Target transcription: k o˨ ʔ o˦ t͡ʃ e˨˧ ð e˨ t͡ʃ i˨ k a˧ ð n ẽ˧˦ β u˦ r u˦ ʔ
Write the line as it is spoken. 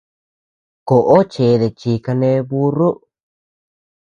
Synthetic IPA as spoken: k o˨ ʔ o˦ t͡ʃ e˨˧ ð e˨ t͡ʃ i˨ k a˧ n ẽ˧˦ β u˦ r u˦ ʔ